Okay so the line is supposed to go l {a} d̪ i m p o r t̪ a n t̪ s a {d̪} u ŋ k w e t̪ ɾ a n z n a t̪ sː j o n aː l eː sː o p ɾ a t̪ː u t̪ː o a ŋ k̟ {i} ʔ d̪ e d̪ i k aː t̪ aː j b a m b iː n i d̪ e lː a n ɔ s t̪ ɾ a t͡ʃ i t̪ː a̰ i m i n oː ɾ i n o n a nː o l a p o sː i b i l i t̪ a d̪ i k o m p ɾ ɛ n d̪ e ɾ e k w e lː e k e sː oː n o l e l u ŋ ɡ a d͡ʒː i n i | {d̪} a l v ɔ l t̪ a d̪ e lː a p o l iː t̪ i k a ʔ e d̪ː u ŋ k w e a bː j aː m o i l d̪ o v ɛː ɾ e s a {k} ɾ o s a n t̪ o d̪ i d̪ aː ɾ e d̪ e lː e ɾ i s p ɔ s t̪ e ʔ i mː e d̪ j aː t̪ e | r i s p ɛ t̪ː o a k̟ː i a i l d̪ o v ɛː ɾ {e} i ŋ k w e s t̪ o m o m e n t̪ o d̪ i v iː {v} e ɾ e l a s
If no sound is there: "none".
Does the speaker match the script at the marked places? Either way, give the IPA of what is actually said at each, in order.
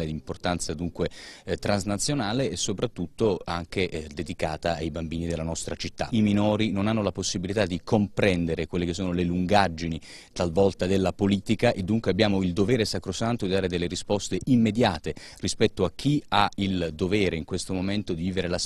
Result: e, d̪, e, t̪, k, e, v

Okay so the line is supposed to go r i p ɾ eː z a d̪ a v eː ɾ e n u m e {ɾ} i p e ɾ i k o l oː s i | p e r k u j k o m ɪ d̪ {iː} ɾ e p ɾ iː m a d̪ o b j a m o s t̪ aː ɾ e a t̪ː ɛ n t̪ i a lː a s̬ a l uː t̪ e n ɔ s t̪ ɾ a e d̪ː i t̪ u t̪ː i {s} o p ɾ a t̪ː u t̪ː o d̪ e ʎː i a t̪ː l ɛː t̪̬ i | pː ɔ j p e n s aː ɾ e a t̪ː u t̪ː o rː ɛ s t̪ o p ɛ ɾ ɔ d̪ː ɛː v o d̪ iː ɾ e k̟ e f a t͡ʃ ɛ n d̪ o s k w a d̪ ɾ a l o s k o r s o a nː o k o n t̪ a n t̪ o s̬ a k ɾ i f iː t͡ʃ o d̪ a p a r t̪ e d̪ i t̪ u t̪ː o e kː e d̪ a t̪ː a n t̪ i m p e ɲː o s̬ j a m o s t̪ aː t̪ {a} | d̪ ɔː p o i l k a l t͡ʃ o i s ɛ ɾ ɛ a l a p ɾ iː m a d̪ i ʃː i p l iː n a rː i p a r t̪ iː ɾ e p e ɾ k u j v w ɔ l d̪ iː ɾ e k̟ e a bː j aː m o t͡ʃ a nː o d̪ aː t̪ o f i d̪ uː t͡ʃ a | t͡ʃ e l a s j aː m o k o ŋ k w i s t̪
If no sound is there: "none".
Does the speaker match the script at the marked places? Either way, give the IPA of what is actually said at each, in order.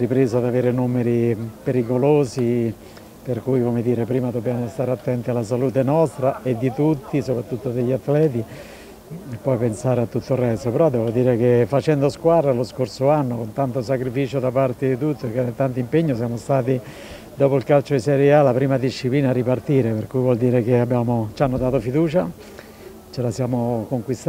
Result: ɾ, iː, s, i

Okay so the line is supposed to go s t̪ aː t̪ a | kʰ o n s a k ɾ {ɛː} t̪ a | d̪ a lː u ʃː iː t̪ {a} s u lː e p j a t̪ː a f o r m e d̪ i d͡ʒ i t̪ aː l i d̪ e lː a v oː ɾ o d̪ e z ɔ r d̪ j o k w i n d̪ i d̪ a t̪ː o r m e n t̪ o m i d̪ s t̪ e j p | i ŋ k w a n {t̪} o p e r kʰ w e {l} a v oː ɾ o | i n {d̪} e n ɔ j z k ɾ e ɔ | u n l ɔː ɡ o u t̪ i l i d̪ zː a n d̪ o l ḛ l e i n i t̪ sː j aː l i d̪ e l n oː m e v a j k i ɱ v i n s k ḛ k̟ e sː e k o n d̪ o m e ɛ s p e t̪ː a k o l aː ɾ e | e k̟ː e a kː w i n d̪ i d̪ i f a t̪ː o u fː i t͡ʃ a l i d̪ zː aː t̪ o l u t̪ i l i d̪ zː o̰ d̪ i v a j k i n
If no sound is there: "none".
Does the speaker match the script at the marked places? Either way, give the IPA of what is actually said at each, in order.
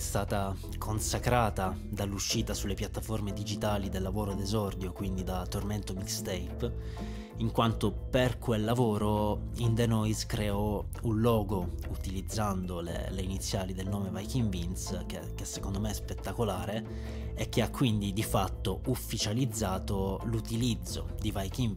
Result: aː, a, t̪, lː, d̪

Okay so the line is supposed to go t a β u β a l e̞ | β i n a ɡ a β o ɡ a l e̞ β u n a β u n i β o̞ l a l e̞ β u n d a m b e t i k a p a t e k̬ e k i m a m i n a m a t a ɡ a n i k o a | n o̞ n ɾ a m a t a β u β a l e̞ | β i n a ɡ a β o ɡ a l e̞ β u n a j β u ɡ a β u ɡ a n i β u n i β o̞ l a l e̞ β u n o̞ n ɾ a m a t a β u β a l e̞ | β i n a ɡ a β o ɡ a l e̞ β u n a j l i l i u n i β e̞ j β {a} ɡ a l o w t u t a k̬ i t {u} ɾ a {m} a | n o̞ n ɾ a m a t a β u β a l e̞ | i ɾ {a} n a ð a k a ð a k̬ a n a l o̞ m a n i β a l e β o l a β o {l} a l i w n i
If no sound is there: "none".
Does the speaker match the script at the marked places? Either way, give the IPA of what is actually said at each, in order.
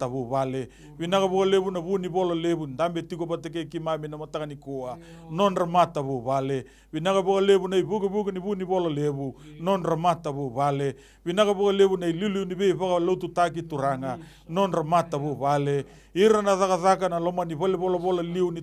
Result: a, u, ŋ, a, l

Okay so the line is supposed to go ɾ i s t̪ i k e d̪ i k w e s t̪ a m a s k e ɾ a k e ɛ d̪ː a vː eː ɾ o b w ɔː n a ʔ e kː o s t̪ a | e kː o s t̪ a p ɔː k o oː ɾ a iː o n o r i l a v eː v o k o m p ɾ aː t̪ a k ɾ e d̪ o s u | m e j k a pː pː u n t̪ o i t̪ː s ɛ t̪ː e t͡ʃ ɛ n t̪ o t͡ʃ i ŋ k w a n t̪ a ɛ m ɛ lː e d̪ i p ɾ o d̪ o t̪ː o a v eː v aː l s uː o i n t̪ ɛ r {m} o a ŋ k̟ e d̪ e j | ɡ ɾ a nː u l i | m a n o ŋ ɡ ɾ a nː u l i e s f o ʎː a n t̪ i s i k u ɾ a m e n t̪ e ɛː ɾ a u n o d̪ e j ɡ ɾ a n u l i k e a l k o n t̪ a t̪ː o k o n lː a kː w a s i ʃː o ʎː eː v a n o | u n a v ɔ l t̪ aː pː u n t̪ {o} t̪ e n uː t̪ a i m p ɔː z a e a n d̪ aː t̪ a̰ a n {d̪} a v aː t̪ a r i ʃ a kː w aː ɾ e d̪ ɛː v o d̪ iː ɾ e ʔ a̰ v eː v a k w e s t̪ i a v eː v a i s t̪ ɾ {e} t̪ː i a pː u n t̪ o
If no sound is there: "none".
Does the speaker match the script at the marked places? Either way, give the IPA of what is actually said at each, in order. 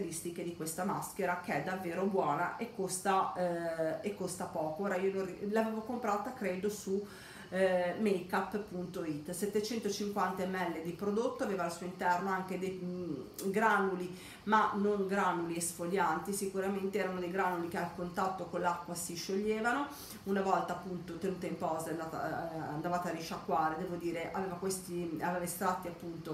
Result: n, o, d̪, a

